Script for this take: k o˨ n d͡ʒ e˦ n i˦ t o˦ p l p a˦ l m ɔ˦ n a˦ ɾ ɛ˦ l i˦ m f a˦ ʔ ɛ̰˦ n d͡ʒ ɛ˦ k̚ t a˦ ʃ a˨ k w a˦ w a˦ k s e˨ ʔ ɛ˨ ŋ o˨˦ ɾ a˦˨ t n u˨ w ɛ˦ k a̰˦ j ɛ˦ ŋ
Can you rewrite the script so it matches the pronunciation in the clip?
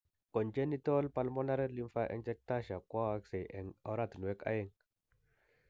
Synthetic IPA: k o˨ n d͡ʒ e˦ n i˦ t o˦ l p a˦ l m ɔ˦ n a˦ ɾ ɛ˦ l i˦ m f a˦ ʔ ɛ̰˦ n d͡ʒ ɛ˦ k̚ t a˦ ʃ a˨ k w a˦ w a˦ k s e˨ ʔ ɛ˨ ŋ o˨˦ ɾ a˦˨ t n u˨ w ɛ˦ k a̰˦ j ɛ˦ ŋ